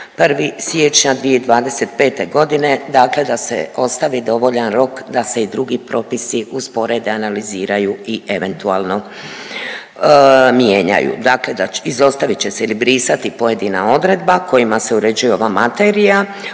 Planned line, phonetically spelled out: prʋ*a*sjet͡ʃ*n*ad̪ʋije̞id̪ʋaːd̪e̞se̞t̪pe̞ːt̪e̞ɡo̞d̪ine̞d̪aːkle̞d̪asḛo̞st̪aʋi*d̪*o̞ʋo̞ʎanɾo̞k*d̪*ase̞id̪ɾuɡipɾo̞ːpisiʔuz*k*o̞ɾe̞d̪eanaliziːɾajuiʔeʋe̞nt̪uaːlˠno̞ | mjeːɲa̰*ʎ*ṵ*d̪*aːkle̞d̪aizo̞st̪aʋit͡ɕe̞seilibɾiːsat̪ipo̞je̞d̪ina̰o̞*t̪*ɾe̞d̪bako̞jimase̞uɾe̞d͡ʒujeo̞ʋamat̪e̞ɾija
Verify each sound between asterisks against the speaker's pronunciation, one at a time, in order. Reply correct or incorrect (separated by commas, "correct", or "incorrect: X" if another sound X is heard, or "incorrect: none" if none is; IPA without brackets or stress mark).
incorrect: i, incorrect: ɲ, correct, correct, incorrect: p, incorrect: j, correct, incorrect: d̪